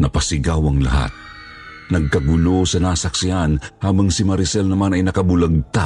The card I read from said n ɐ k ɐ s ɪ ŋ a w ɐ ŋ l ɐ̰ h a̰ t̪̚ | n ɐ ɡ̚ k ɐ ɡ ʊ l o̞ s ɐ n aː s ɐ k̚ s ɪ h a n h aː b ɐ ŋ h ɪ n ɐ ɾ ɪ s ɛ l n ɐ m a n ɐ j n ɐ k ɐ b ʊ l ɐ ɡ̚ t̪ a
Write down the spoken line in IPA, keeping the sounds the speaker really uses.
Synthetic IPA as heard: n ɐ p ɐ s ɪ ɡ a w ɐ ŋ l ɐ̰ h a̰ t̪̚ | n ɐ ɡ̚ k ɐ ɡ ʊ l o̞ s ɐ n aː s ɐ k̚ s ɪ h a n h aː b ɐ ŋ s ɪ m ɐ ɾ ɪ s ɛ l n ɐ m a n ɐ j n ɐ k ɐ b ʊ l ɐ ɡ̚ t̪ a